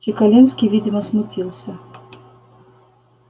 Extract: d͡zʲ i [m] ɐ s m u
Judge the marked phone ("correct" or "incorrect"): correct